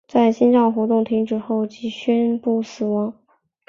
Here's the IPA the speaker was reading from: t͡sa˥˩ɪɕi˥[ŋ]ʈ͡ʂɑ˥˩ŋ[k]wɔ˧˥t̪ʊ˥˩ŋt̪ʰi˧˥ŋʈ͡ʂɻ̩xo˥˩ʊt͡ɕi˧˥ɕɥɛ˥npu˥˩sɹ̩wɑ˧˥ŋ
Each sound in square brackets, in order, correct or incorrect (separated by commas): incorrect, incorrect